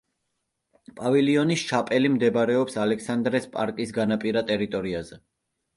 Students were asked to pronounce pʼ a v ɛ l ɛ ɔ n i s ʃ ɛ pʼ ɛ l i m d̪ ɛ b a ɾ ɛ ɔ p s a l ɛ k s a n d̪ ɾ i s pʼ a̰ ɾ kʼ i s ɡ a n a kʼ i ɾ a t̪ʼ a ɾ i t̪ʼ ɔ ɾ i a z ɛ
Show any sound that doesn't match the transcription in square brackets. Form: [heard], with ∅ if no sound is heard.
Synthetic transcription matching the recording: pʼ a v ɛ l [i] ɔ n i s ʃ [a] pʼ ɛ l i m d̪ ɛ b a ɾ ɛ ɔ p s a l ɛ k s a n d̪ ɾ [ɛ] s pʼ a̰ ɾ kʼ i s ɡ a n a [pʼ] i ɾ a t̪ʼ [ɛ] ɾ i t̪ʼ ɔ ɾ i a z ɛ

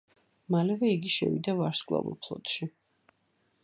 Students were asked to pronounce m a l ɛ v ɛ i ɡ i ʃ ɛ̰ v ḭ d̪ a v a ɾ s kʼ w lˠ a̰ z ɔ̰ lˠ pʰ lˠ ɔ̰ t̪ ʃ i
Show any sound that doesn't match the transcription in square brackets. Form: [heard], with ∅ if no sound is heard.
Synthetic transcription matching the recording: m a l ɛ v ɛ i ɡ i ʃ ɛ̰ v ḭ d̪ a v a ɾ s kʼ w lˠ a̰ [v] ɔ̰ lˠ pʰ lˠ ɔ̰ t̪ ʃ i

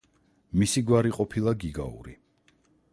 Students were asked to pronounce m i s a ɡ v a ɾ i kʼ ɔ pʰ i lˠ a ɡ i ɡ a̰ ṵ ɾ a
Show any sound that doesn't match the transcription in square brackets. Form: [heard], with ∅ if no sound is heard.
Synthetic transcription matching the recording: m i s [i] ɡ [w] a ɾ i [qʼ] ɔ pʰ i lˠ a ɡ i ɡ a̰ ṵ ɾ [i]

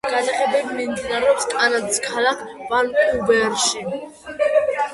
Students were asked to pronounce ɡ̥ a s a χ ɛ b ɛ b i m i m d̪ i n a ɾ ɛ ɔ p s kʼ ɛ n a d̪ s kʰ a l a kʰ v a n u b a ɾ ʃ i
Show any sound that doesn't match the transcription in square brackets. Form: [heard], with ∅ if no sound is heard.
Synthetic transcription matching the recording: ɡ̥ a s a χ ɛ b ɛ b i m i m d̪ i n a ɾ ɛ ɔ p s kʼ [a] n a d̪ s kʰ a l a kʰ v a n u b [ɛ] ɾ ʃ i

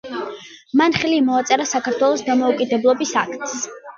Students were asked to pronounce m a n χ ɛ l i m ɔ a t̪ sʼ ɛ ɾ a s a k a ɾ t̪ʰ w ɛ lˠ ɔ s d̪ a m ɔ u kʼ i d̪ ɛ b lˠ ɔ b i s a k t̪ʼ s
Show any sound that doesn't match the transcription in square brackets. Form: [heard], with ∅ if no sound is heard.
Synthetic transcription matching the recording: m a n χ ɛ l i m ɔ a t̪ sʼ ɛ ɾ a s a k a ɾ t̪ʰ w ɛ lˠ ɔ s d̪ a m ɔ u kʼ i d̪ ɛ b lˠ ɔ b i s a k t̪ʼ s

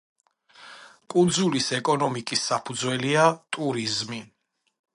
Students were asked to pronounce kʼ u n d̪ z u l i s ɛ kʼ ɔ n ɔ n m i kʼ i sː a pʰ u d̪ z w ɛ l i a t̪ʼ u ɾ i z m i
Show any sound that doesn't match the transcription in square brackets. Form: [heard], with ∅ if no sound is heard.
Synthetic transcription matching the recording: kʼ u n d̪ z u l i s ɛ kʼ ɔ n ɔ [∅] m i kʼ i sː a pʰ u d̪ z w ɛ l i a t̪ʼ u ɾ i z m i

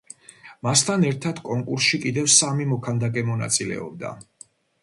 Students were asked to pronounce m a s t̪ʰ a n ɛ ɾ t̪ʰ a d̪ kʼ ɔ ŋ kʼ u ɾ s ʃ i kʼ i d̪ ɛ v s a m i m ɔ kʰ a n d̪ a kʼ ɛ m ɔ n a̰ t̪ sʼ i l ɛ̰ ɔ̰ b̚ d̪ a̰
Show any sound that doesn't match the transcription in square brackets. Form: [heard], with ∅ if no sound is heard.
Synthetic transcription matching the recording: m a s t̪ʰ a n ɛ ɾ t̪ʰ a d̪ kʼ ɔ ŋ kʼ u ɾ s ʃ i kʼ i d̪ ɛ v s a m i m ɔ kʰ a n d̪ a kʼ ɛ m ɔ n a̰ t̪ sʼ i l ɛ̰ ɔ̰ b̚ d̪ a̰

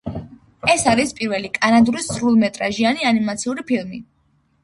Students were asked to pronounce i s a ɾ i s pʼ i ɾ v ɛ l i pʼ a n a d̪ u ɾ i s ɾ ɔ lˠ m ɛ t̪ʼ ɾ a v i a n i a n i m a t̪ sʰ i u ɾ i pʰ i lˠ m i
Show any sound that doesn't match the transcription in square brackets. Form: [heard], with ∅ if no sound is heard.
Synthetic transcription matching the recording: [ɛ] s a ɾ i s pʼ i ɾ v ɛ l i [kʼ] a n a d̪ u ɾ i s ɾ [u] lˠ m ɛ t̪ʼ ɾ a [ʒ] i a n i a n i m a t̪ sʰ i u ɾ i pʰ i lˠ m i

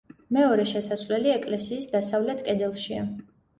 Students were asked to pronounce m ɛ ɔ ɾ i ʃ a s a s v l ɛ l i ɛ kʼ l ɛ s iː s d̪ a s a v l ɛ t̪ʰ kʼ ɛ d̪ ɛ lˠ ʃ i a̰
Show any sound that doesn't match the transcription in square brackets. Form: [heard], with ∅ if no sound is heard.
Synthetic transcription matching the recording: m ɛ ɔ ɾ [ɛ] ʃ [ɛ] s a s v l ɛ l i ɛ kʼ l ɛ s iː s d̪ a s a v l ɛ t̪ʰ kʼ ɛ d̪ ɛ lˠ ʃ i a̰

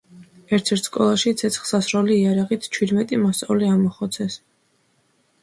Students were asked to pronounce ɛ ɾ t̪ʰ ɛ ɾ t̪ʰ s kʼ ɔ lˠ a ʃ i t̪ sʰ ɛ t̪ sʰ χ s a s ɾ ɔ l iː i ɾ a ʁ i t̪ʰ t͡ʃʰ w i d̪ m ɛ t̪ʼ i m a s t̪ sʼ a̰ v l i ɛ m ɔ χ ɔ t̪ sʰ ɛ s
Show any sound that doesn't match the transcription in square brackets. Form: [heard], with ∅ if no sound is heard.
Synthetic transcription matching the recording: ɛ ɾ t̪ʰ ɛ ɾ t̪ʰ s kʼ ɔ lˠ a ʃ i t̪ sʰ ɛ t̪ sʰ χ s a s ɾ ɔ l iː [a] ɾ a ʁ i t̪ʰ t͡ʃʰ w i d̪ m ɛ t̪ʼ i m a s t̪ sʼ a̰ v l i [a] m ɔ χ ɔ t̪ sʰ ɛ s

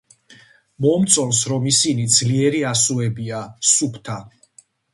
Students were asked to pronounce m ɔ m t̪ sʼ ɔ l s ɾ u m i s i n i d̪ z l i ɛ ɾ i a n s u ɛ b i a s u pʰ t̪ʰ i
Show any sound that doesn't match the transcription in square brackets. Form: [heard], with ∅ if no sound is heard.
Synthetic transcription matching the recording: m ɔ m t̪ sʼ ɔ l s ɾ [ɔ] m i s i n i d̪ z l i ɛ ɾ i a [∅] s u ɛ b i a s u pʰ t̪ʰ [a]

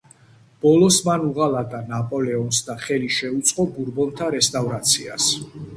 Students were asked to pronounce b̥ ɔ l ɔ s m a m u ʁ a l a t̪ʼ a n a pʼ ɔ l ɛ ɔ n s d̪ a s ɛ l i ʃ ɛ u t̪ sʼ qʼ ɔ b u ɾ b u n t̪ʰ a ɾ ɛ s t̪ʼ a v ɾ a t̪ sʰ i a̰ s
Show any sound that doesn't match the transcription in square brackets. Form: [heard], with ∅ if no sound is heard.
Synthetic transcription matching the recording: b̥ ɔ l ɔ s m a [n] u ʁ a l a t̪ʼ a n a pʼ ɔ l ɛ ɔ n s d̪ a [χ] ɛ l i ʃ ɛ u t̪ sʼ qʼ ɔ b u ɾ b [ɔ] n t̪ʰ a ɾ ɛ s t̪ʼ a v ɾ a t̪ sʰ i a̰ s

